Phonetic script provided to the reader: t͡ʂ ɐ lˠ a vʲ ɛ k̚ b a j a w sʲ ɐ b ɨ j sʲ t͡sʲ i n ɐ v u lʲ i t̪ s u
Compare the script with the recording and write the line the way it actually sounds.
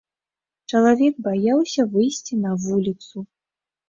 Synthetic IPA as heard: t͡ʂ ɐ lˠ a vʲ ɛ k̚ b a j a w sʲ ɐ v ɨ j sʲ t͡sʲ i n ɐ v u lʲ i t̪ s u

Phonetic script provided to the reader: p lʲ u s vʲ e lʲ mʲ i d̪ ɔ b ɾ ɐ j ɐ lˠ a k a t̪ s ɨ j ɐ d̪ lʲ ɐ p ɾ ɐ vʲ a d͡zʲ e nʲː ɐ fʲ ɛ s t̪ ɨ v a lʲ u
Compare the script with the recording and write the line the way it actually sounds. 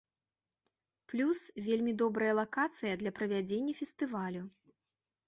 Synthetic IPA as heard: p lʲ u s vʲ e lʲ mʲ i d̪ ɔ b ɾ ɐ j ɐ lˠ a k a t̪ s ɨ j ɐ d̪ lʲ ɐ p ɾ ɐ vʲ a d͡zʲ e nʲː ɐ fʲ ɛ s t̪ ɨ v a lʲ u

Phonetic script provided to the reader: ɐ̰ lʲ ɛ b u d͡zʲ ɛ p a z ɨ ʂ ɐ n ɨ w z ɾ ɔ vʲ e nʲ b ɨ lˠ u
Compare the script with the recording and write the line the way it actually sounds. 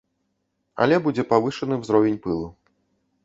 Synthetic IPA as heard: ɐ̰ lʲ ɛ b u d͡zʲ ɛ p a v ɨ ʂ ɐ n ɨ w z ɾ ɔ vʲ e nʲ p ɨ lˠ u

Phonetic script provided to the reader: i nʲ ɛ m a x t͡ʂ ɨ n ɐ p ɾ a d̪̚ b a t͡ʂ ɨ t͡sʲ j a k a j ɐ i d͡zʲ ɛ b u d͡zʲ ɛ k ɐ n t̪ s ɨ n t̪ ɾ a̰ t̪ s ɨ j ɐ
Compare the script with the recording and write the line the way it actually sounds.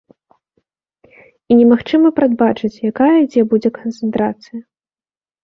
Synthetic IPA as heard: i nʲ ɛ m a x t͡ʂ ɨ m ɐ p ɾ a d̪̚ b a t͡ʂ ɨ t͡sʲ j a k a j ɐ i d͡zʲ ɛ b u d͡zʲ ɛ k ɐ n t̪ s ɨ n t̪ ɾ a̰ t̪ s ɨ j ɐ

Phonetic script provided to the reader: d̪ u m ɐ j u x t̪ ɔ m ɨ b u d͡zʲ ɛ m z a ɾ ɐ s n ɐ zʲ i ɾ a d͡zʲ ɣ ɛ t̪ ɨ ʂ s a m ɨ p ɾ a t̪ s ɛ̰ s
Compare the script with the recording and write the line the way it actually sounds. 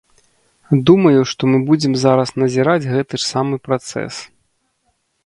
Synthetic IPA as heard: d̪ u m ɐ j u ʂ t̪ ɔ m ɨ b u d͡zʲ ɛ m z a ɾ ɐ s n ɐ zʲ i ɾ a d͡zʲ ɣ ɛ t̪ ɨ ʂ s a m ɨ p ɾ a t̪ s ɛ̰ s

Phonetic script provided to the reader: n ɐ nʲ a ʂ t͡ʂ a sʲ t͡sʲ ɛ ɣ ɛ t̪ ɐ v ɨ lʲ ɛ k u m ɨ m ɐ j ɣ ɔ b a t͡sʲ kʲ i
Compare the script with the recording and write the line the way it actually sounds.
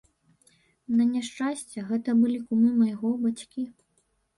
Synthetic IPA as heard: n ɐ nʲ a ʂ t͡ʂ a sʲ t͡sʲ ɛ ɣ ɛ t̪ ɐ b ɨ lʲ i k u m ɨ m ɐ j ɣ ɔ b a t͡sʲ kʲ i

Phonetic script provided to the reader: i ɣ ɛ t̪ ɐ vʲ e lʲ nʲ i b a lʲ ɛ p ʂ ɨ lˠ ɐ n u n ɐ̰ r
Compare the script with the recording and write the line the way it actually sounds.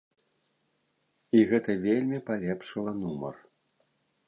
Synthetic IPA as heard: i ɣ ɛ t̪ ɐ vʲ e lʲ mʲ i p a lʲ ɛ p ʂ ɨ lˠ ɐ n u m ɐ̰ r

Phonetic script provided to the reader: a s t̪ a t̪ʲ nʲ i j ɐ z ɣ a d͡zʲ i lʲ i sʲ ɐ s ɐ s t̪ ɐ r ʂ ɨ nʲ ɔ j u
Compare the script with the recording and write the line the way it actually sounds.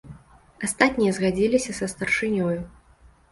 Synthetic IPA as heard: a s t̪ a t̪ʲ nʲ i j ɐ z ɣ a d͡zʲ i lʲ i sʲ ɐ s ɐ s t̪ ɐ r ʂ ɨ nʲ ɔ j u

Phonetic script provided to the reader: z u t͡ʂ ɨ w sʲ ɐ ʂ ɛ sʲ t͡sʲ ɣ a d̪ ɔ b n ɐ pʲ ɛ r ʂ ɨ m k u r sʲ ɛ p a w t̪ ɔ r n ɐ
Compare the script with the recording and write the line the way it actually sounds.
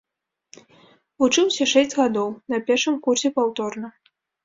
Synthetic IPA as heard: v u t͡ʂ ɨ w sʲ ɐ ʂ ɛ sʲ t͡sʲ ɣ a d̪ ɔ w n ɐ pʲ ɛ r ʂ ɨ m k u r sʲ ɛ p a w t̪ ɔ r n ɐ

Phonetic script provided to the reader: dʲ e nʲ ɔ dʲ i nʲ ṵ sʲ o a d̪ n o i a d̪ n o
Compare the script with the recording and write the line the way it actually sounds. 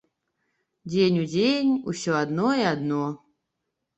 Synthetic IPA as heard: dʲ e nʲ u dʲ e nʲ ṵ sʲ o a d̪ n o i a d̪ n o

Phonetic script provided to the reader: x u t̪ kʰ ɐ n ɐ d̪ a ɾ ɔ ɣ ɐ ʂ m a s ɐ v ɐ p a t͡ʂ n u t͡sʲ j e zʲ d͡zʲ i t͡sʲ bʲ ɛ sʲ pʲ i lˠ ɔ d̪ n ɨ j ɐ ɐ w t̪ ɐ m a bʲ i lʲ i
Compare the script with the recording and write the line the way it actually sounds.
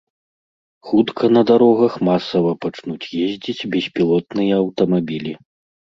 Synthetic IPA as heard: x u t̪ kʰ ɐ n ɐ d̪ a ɾ ɔ ɣ ɐ x m a s ɐ v ɐ p a t͡ʂ n u t͡sʲ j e zʲ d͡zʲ i t͡sʲ bʲ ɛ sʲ pʲ i lˠ ɔ t̪ n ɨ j ɐ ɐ w t̪ ɐ m a bʲ i lʲ i

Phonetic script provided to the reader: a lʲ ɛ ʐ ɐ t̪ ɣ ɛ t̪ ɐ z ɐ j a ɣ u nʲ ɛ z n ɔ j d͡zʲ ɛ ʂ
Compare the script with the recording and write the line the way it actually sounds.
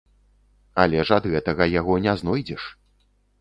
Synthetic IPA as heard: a lʲ ɛ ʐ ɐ d̪ ɣ ɛ t̪ ɐ ɣ ɐ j a ɣ ɔ nʲ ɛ z n ɔ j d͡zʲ ɛ ʂ

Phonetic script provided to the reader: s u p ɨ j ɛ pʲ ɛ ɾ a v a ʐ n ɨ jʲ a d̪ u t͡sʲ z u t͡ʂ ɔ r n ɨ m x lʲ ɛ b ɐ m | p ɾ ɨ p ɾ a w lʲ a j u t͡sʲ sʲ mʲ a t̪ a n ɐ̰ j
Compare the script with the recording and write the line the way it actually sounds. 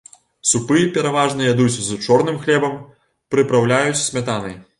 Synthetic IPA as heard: s u p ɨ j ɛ pʲ ɛ ɾ a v a ʐ n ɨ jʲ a d̪ u t͡sʲ z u t͡ʂ ɔ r n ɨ m x lʲ ɛ b ɐ m | p ɾ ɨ p ɾ a w lʲ a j u t͡sʲ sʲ mʲ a t̪ a n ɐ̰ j

